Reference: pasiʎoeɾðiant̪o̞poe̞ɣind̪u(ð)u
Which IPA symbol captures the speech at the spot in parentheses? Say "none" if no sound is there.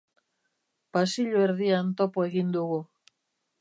ɣ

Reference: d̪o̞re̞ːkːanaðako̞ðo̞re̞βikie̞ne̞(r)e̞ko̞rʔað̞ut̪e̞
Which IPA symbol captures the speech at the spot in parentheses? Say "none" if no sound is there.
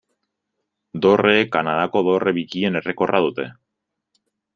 r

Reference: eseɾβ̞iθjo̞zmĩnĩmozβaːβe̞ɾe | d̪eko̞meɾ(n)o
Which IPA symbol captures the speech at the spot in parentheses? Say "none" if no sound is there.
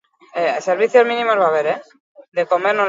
n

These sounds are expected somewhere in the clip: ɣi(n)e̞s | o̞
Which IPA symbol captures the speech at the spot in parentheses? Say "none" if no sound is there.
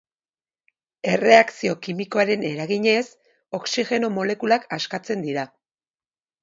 ɲ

